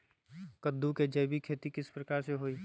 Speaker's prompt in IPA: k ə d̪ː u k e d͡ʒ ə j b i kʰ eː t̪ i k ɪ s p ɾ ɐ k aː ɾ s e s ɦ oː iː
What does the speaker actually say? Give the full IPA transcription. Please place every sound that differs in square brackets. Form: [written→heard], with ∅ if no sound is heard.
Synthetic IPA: k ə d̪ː u k e d͡ʒ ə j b i kʰ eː t̪ i k ɪ s p ɾ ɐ k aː ɾ s e [s→∅] ɦ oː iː

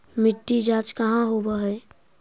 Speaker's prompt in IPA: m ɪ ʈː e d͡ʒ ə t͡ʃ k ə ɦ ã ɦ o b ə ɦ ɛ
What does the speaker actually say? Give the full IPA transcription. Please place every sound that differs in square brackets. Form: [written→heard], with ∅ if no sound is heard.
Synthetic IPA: m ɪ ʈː [e→i] d͡ʒ [ə→a] t͡ʃ k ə ɦ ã ɦ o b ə ɦ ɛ

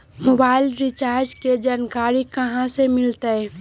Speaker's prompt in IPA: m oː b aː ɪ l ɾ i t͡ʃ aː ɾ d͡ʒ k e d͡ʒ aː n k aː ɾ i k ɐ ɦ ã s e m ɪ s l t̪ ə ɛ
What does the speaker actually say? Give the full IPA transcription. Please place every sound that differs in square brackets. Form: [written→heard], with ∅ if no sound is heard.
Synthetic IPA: m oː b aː ɪ l ɾ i t͡ʃ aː ɾ d͡ʒ k e d͡ʒ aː n k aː ɾ i k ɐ ɦ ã s e m ɪ [s→∅] l t̪ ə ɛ

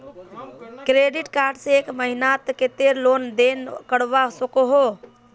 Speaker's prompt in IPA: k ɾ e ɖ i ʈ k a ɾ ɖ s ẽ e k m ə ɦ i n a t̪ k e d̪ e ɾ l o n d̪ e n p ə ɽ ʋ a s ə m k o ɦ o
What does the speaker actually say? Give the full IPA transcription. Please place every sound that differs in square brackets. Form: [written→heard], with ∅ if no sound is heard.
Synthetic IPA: k ɾ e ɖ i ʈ k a ɾ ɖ s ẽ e k m ə ɦ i n a t̪ k e [d̪→t̪] e ɾ l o n d̪ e n [p→k] ə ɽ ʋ a s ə [m→∅] k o ɦ o

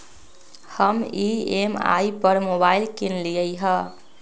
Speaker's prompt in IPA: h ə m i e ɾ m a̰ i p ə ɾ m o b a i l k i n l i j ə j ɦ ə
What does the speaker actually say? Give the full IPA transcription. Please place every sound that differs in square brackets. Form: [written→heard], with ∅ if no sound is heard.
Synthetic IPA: h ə m i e [ɾ→∅] m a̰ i p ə ɾ m o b a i l k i n l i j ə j ɦ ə

